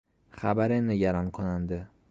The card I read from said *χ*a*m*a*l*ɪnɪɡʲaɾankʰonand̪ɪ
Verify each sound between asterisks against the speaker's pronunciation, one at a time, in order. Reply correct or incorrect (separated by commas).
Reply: correct, incorrect, incorrect